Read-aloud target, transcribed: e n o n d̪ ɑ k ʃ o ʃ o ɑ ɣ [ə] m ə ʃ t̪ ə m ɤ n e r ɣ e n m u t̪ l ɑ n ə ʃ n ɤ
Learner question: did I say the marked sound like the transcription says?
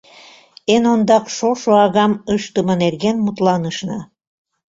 no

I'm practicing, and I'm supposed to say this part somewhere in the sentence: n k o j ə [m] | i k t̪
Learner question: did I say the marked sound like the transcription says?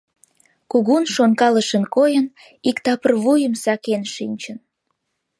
no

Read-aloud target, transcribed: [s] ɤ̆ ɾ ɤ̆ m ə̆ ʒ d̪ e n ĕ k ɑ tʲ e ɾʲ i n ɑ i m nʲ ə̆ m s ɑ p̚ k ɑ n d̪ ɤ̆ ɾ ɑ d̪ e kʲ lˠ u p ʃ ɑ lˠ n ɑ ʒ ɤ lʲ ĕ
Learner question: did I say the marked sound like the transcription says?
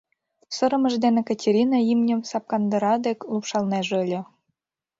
yes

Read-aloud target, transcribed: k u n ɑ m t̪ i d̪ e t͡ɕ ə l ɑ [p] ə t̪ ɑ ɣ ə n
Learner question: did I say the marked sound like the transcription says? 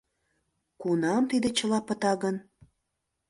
yes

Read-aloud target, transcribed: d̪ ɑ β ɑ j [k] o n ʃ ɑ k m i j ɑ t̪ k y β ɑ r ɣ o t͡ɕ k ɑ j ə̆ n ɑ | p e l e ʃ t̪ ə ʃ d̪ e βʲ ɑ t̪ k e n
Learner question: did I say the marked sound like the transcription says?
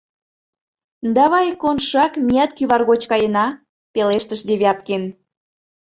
yes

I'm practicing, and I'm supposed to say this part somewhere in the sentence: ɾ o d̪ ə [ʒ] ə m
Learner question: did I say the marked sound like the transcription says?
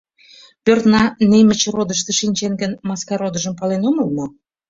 yes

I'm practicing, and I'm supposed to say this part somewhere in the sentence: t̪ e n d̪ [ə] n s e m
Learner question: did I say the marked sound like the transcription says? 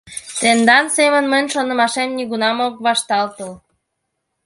no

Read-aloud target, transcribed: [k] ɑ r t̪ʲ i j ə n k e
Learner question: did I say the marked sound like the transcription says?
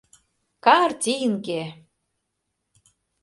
yes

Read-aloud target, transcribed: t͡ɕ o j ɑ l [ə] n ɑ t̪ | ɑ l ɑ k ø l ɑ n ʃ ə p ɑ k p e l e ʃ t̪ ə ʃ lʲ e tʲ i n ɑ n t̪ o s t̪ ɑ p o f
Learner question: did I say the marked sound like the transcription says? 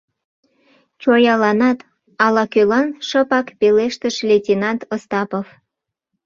no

